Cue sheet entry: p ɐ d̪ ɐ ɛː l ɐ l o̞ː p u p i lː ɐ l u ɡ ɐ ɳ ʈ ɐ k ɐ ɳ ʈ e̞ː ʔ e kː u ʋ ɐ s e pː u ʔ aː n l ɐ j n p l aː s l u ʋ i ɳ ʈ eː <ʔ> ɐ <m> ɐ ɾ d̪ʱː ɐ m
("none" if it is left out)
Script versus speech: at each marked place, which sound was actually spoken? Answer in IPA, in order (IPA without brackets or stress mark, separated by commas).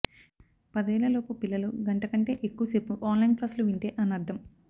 ʔ, n